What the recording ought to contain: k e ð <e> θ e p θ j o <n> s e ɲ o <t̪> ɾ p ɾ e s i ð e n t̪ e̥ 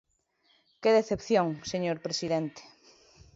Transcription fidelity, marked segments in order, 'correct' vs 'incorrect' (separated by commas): correct, incorrect, incorrect